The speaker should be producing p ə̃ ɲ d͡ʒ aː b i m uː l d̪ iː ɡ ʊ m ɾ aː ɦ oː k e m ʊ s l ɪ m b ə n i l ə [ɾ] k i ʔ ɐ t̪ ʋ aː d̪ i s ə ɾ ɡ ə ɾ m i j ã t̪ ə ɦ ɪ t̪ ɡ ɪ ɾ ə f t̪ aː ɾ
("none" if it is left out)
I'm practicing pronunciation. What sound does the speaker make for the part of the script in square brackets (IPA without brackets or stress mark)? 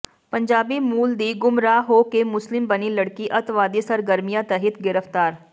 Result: ɽ